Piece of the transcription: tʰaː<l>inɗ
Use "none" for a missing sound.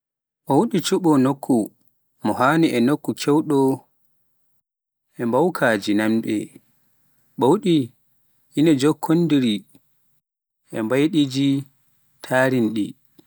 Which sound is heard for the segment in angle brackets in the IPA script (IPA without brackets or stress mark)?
ɾ